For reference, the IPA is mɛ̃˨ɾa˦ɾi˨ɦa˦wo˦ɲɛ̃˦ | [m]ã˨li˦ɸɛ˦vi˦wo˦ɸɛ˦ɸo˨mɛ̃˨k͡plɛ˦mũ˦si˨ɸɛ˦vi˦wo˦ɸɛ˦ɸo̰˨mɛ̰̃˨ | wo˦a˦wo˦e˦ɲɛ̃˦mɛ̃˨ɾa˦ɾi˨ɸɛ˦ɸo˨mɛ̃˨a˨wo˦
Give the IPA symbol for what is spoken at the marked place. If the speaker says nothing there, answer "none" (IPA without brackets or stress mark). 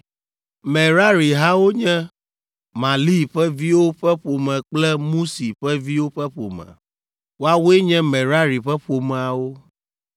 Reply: m